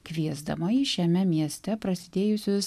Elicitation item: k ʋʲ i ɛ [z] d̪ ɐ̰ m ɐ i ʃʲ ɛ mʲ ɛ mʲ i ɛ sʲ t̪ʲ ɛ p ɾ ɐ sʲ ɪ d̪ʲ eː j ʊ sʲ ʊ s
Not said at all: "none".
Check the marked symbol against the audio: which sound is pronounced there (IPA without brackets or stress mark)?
z